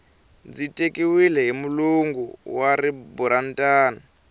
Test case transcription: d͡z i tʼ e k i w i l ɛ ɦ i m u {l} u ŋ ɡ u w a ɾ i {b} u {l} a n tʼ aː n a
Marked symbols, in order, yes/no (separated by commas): yes, yes, no